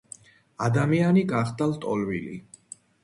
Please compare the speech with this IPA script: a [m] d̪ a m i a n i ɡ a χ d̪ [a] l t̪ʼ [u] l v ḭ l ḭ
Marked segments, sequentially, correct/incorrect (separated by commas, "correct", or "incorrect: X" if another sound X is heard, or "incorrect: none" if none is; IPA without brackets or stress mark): incorrect: none, correct, incorrect: ɔ